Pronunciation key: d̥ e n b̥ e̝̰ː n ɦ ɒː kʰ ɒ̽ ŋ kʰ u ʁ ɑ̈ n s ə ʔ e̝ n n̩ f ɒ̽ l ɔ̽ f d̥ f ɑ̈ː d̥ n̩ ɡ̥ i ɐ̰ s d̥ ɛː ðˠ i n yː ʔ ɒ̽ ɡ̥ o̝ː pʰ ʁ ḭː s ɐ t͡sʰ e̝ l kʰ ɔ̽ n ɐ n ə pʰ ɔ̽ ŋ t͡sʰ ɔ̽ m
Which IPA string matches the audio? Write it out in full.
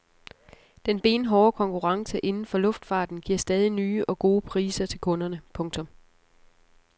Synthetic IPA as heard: d̥ e n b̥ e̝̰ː n ɦ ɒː kʰ ɒ̽ ŋ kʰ u ʁ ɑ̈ ŋ s ə ʔ e̝ n n̩ f ɒ̽ l ɔ̽ f d̥ f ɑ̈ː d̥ n̩ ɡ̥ i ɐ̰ s d̥ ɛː ðˠ i n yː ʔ ɒ̽ ɡ̥ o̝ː pʰ ʁ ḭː s ɐ t͡sʰ e̝ l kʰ ɔ̽ n ɐ n ə pʰ ɔ̽ ŋ t͡sʰ ɔ̽ m